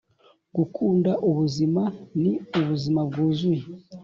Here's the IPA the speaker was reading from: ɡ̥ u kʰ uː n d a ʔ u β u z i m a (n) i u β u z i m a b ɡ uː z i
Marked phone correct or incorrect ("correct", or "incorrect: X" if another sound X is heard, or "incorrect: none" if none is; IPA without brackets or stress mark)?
correct